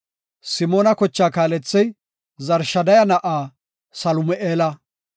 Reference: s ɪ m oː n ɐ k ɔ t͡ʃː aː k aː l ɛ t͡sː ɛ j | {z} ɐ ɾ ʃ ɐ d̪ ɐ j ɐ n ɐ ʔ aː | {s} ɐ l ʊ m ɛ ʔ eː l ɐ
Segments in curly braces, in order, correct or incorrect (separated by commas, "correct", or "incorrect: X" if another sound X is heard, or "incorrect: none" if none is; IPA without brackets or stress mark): correct, correct